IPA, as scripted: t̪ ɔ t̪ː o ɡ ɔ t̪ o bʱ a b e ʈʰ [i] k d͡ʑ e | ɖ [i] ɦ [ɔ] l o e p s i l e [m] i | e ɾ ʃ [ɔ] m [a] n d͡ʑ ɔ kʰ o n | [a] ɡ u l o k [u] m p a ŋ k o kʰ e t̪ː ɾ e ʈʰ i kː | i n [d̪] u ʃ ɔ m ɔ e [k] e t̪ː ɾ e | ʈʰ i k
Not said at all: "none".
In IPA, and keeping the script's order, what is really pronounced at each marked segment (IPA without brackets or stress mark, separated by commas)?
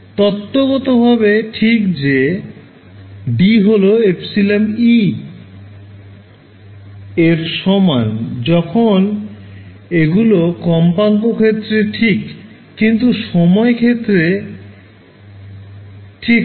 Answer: i, i, o, m, ɔ, a, e, ɔ, t̪, kʰ